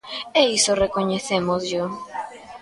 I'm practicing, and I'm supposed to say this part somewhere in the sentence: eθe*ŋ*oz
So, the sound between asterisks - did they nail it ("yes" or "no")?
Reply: no